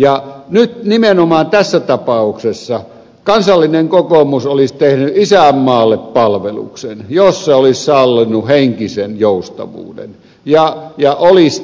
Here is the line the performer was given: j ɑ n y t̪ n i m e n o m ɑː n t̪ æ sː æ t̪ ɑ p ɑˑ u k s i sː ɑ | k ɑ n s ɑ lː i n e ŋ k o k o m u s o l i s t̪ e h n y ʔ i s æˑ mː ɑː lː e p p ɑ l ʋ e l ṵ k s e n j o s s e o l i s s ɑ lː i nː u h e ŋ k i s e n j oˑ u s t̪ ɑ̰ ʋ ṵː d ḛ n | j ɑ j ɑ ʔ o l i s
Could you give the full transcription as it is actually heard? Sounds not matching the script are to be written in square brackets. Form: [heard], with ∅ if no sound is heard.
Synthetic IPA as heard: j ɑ n y t̪ n i m e n o m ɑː n t̪ æ sː æ t̪ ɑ p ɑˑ u k s [e] sː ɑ | k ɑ n s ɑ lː i n e ŋ k o k o m u s o l i s t̪ e h n y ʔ i s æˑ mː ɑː lː e p p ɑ l ʋ e l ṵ k s e n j o s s e o l i s s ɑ lː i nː u h e ŋ k i s e n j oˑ u s t̪ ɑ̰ ʋ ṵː d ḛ n | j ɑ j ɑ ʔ o l i s